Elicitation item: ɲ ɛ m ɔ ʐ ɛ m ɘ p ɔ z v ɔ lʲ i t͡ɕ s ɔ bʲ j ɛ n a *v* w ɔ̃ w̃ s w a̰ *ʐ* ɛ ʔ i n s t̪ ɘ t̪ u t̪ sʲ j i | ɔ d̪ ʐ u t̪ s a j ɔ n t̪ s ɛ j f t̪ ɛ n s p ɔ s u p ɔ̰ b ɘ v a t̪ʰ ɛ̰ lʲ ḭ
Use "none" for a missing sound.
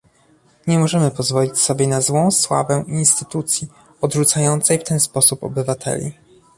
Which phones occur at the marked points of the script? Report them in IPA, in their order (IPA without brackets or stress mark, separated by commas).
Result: z, v